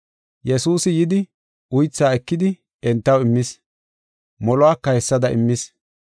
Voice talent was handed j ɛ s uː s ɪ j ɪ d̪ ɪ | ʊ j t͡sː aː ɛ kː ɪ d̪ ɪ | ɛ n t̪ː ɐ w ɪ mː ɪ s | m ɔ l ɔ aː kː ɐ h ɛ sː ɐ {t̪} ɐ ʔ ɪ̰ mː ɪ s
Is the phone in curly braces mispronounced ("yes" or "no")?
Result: yes